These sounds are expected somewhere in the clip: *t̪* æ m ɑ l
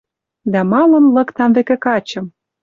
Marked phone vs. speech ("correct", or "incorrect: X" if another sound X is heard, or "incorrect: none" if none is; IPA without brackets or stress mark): incorrect: d̪